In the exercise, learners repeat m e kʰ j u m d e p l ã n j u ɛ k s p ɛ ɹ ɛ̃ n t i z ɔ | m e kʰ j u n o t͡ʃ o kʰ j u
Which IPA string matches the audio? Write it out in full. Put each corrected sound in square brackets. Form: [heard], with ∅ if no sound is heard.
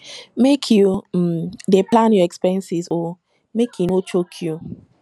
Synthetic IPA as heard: m e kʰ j u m d e p l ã n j [ɔ] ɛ k s p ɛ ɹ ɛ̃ n [s] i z ɔ | m e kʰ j u n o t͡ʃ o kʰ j u